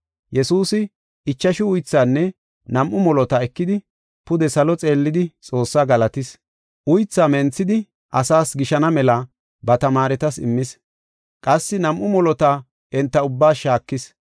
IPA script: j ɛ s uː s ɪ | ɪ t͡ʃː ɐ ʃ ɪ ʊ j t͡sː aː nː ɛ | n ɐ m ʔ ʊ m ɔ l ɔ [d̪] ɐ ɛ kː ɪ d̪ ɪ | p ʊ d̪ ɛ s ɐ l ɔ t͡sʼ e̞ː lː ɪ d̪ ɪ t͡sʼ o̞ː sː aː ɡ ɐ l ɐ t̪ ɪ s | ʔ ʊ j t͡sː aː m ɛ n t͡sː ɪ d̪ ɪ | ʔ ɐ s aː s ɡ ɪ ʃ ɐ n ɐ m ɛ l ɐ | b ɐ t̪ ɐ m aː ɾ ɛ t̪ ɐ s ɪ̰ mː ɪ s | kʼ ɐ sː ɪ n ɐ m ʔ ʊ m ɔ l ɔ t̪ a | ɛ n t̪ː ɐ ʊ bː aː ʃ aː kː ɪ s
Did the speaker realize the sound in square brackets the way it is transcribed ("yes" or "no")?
no